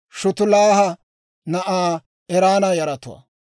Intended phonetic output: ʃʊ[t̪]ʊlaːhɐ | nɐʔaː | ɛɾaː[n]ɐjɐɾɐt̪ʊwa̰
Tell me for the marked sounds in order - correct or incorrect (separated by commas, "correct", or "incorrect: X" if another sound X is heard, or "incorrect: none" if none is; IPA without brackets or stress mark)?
correct, correct